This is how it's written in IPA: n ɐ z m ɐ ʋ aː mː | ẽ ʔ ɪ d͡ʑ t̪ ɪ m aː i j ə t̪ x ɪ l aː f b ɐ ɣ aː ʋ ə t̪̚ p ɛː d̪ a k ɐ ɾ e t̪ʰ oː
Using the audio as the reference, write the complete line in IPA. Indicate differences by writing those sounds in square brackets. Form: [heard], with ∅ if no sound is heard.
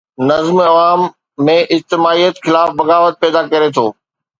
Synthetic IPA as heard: n ɐ z m ɐ ʋ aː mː | ẽ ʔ ɪ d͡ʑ t̪ ɪ m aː i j ə t̪ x ɪ l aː f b ɐ ɣ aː ʋ ə t̪̚ p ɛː d̪ a k ɐ ɾ e t̪ʰ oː